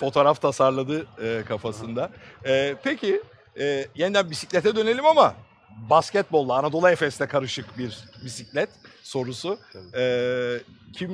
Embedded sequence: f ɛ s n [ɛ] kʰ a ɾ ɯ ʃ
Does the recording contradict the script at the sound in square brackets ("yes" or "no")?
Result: no